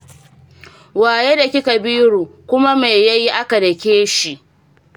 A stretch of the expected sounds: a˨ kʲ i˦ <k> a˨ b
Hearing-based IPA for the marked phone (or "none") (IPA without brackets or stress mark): k